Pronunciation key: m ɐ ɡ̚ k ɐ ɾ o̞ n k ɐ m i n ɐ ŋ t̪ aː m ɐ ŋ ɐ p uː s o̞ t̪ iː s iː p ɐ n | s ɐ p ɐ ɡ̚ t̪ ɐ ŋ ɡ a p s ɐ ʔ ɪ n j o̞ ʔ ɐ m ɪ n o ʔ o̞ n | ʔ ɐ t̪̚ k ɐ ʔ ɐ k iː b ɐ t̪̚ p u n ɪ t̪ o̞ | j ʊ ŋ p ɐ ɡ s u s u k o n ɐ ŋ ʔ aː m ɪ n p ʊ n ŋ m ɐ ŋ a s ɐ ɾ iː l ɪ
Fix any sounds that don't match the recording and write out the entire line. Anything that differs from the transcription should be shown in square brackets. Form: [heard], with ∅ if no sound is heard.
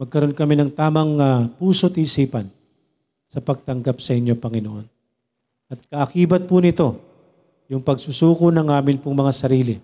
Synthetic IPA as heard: m ɐ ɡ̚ k ɐ ɾ o̞ n k ɐ m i n ɐ ŋ t̪ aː m ɐ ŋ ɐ p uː s o̞ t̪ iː s iː p ɐ n | s ɐ p ɐ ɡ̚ t̪ ɐ ŋ ɡ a p s ɐ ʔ ɪ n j o̞ [p] ɐ [ŋ] ɪ n o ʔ o̞ n | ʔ ɐ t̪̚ k ɐ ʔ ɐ k iː b ɐ t̪̚ p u n ɪ t̪ o̞ | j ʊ ŋ p ɐ ɡ s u s [uː] k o n ɐ ŋ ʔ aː m ɪ n p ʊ [∅] ŋ m ɐ ŋ a s ɐ ɾ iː l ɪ